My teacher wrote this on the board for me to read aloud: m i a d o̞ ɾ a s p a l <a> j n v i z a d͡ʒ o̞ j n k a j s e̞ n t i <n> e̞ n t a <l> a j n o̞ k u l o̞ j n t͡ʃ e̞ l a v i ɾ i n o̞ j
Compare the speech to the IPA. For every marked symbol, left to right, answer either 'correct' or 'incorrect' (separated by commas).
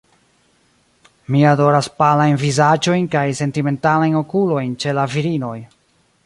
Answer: correct, incorrect, correct